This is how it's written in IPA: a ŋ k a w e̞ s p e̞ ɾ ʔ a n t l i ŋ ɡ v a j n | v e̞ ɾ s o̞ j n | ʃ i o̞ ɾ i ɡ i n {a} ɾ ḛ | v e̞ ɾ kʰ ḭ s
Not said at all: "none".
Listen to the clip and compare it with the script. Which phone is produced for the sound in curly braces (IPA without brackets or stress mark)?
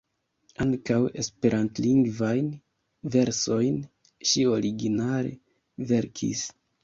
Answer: a